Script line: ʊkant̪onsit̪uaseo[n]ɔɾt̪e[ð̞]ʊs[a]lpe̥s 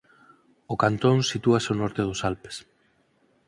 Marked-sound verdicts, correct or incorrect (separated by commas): correct, correct, correct